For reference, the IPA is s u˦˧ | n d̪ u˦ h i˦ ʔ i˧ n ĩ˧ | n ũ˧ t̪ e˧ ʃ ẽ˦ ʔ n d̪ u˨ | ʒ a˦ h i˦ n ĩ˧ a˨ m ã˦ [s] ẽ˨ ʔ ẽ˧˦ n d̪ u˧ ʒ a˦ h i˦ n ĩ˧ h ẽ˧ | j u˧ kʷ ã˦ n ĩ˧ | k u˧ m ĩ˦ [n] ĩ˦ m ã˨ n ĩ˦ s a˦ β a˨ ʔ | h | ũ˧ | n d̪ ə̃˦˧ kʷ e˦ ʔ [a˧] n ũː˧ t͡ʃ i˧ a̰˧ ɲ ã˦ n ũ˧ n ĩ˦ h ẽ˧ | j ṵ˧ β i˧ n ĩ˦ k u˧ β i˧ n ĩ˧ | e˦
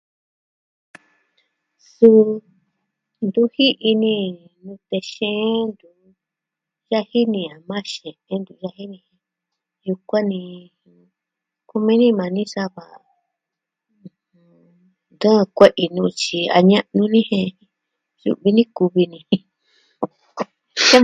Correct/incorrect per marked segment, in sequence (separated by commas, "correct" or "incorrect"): incorrect, correct, incorrect